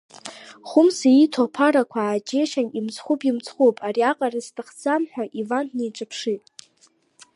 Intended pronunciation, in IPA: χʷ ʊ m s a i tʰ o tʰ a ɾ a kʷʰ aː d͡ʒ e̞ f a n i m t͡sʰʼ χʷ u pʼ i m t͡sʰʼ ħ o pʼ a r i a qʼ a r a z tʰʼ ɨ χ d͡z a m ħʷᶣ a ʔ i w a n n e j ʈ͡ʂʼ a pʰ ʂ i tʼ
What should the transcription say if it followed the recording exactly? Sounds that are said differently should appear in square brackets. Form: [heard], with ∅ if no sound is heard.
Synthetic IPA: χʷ ʊ m s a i tʰ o [pʰ] a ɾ a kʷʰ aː d͡ʒ e̞ [ʃ] a n i m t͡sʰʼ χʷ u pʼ i m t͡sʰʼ [χ] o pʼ a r i a qʼ a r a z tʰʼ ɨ χ d͡z a m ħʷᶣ a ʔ i [v] a n n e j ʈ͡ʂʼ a pʰ ʂ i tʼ